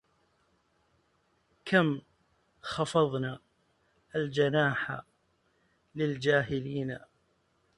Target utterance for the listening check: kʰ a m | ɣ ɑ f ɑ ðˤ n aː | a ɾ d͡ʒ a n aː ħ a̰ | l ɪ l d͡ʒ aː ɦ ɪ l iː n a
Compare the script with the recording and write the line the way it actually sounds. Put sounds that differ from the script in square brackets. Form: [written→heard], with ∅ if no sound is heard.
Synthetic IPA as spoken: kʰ a m | [ɣ→x] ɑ f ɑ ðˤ n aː | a [ɾ→l] d͡ʒ a n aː ħ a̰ | l ɪ l d͡ʒ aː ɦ ɪ l iː n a